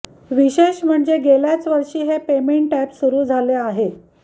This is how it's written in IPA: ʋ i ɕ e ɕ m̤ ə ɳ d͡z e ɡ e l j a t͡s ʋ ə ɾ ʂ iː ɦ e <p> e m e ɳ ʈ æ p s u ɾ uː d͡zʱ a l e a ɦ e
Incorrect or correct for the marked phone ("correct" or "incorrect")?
correct